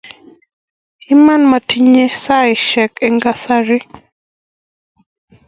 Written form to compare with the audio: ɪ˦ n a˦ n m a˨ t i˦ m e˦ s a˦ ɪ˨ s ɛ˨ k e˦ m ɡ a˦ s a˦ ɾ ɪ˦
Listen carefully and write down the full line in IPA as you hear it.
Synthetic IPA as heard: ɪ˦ m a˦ n m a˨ t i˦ ɲ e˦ s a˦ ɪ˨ ʃ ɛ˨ k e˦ ŋ ɡ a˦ s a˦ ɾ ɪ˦

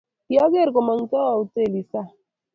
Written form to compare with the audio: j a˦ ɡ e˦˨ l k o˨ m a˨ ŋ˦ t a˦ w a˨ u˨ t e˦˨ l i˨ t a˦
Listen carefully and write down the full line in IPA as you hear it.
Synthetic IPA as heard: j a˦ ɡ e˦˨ ɾ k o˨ m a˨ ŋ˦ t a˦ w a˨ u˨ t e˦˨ l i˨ s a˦

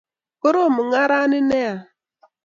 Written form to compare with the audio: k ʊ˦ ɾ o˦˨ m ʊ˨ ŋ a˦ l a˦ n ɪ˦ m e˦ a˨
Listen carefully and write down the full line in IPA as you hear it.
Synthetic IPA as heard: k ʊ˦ ɾ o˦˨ m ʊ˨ ŋ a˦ ɾ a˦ n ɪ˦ n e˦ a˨

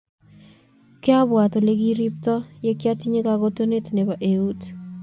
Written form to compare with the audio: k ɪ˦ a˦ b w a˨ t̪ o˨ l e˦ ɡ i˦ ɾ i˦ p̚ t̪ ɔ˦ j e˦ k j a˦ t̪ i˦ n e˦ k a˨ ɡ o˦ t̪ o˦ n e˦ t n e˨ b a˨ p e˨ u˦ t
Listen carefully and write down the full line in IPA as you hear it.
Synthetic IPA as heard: k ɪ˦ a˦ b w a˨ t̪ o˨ l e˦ ɡ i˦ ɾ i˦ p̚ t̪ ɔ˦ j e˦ k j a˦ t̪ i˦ ɲ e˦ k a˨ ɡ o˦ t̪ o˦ n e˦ t n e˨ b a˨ ʔ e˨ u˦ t

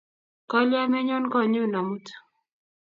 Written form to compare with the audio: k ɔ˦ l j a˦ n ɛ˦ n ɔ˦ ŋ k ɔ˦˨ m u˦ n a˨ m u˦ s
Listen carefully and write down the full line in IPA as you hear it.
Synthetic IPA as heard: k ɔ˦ l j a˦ m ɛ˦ ɲ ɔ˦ n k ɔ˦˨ ɲ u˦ n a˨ m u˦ t

